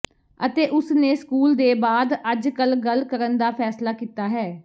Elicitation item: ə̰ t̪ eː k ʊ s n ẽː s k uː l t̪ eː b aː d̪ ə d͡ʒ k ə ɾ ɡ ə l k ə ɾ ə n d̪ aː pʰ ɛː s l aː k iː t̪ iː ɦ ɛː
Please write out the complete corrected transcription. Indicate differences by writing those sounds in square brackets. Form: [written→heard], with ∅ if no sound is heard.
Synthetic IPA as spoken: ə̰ t̪ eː [k→ʔ] ʊ s n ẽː s k uː l [t̪→d̪] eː b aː d̪ ə d͡ʒ k ə [ɾ→l] ɡ ə l k ə ɾ ə n d̪ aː pʰ ɛː s l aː k iː t̪ [iː→aː] ɦ ɛː

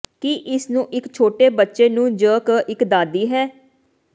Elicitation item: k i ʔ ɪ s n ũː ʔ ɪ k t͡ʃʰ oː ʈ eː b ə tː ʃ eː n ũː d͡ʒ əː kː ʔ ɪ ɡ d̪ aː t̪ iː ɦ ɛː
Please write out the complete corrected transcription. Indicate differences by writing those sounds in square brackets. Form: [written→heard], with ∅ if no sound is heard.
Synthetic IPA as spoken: k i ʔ ɪ s n ũː ʔ ɪ k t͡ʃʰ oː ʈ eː b ə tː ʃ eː n ũː d͡ʒ əː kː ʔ ɪ [ɡ→k] d̪ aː [t̪→d̪] iː ɦ ɛː

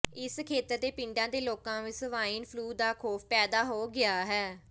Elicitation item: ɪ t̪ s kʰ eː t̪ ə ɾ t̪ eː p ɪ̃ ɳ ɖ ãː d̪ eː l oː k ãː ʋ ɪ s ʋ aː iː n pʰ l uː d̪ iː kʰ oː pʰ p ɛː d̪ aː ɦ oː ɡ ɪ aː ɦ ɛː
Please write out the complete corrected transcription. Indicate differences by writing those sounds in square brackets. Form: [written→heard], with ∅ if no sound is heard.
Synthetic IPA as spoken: ɪ [t̪→∅] s kʰ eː t̪ ə ɾ [t̪→d̪] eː p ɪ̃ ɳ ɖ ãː d̪ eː l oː k ãː ʋ ɪ s ʋ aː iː n pʰ l uː d̪ [iː→aː] kʰ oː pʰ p ɛː d̪ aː ɦ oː ɡ ɪ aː ɦ ɛː

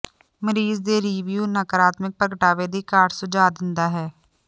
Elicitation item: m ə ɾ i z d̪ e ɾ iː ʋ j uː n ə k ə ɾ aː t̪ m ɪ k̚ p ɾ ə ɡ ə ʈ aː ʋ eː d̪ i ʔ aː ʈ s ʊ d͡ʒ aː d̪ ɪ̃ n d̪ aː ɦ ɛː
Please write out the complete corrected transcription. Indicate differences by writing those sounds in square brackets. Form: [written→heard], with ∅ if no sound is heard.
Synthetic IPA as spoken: m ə ɾ [i→iː] z d̪ e ɾ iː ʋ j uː n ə k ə ɾ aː t̪ m ɪ k̚ p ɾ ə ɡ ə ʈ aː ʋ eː d̪ i [ʔ→k] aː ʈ s ʊ d͡ʒ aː d̪ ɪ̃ n d̪ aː ɦ ɛː

